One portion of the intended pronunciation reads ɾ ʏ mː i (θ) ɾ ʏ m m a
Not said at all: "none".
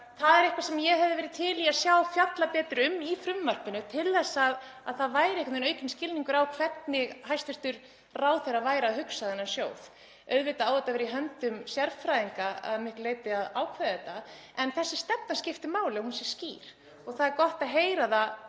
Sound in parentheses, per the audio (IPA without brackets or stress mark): f